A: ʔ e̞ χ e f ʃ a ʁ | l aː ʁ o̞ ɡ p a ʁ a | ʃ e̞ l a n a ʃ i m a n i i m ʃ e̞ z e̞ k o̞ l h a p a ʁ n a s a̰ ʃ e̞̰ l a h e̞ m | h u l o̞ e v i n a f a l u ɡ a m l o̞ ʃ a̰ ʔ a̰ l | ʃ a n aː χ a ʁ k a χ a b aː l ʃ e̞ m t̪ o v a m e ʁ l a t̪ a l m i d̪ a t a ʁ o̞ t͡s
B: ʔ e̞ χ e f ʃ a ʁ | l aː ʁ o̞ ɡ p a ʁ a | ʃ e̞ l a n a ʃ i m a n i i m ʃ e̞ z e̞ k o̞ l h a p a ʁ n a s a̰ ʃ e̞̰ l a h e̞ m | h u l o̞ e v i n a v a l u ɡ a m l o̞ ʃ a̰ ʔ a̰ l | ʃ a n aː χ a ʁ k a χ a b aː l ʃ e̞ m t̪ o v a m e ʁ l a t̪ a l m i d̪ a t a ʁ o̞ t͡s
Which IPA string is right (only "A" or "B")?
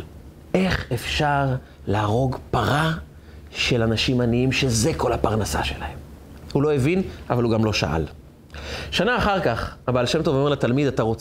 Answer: B